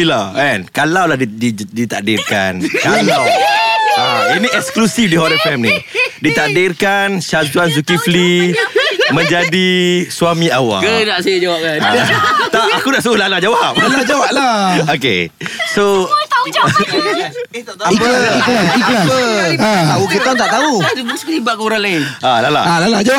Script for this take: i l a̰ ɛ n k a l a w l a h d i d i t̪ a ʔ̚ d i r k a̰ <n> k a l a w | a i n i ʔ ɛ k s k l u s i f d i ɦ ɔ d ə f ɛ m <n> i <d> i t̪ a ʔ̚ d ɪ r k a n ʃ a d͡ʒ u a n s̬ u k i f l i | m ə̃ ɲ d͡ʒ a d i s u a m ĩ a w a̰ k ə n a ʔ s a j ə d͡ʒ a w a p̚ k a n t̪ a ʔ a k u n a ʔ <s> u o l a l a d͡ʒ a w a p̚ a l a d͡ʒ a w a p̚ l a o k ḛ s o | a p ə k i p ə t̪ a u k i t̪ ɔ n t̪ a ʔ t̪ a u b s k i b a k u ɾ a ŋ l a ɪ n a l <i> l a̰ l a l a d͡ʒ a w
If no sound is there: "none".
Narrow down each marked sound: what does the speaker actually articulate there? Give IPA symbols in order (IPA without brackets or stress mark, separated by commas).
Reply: n, n, d, s, a